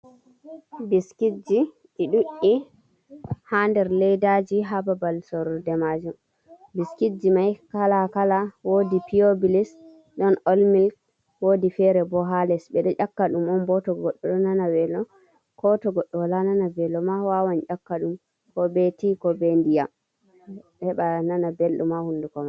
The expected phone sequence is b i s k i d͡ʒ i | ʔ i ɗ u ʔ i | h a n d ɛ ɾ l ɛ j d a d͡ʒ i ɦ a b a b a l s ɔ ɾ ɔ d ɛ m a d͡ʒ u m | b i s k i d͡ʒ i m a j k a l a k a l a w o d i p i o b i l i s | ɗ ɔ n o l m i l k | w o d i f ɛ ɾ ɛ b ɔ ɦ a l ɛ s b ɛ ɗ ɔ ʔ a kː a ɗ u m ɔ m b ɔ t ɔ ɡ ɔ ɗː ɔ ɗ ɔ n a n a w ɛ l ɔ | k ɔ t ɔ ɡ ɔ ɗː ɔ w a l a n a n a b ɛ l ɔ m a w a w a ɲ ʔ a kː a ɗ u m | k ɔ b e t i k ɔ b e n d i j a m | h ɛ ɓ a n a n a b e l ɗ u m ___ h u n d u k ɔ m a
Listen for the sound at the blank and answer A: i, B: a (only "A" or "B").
B